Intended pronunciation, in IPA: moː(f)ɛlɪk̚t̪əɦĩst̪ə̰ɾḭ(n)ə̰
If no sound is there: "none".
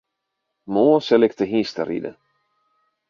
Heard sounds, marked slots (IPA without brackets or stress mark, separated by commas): s, d